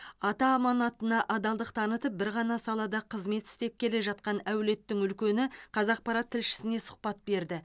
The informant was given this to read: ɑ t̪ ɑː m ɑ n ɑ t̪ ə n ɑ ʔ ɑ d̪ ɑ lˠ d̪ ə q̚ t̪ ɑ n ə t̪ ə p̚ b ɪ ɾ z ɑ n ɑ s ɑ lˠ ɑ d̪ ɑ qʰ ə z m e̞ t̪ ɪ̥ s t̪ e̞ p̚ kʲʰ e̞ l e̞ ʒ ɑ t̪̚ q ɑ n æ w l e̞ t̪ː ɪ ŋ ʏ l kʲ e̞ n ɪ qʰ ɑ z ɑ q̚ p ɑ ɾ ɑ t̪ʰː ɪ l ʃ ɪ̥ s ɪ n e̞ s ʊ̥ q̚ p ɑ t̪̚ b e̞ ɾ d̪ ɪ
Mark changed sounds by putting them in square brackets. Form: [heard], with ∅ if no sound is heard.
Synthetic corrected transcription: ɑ t̪ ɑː m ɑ n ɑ t̪ ə n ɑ ʔ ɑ d̪ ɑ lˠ d̪ ə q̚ [t̪ʰ] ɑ n ə t̪ ə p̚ b ɪ ɾ [ʁ] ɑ n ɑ s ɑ lˠ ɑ d̪ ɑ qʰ ə z m e̞ t̪ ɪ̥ s t̪ e̞ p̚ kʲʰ e̞ l e̞ ʒ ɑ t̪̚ q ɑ n æ w l e̞ t̪ː ɪ ŋ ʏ l kʲ e̞ n ɪ qʰ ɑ z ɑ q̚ p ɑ ɾ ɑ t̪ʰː ɪ l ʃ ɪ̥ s ɪ n e̞ s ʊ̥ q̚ p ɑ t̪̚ b e̞ ɾ d̪ ɪ